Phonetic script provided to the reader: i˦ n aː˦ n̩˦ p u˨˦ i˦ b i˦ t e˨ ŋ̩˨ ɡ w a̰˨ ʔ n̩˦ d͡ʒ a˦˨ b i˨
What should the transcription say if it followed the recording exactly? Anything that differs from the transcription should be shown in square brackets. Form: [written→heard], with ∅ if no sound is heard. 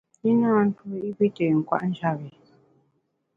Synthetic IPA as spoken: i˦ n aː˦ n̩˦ [p→t] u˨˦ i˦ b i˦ t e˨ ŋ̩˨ [ɡ→k] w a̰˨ ʔ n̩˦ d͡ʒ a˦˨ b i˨